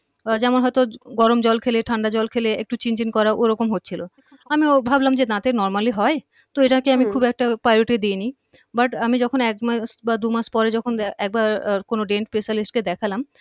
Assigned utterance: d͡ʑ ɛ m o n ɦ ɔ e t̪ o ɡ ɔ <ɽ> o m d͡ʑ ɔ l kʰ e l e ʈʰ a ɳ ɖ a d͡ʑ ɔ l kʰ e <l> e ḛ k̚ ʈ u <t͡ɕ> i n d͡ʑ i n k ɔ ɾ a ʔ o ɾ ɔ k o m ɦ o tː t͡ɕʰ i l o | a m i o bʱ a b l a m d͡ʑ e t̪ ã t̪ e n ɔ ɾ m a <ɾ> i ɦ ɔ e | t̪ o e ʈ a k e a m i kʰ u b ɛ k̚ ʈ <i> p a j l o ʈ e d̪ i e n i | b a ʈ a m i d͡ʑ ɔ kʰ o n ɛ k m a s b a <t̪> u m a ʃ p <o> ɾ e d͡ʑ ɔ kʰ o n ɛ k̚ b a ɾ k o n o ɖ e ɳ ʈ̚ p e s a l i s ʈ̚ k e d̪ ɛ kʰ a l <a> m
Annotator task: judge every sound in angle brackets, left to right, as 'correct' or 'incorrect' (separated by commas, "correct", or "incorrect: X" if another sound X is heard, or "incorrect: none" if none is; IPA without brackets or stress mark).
incorrect: ɾ, correct, correct, incorrect: l, incorrect: a, incorrect: d̪, incorrect: ɔ, correct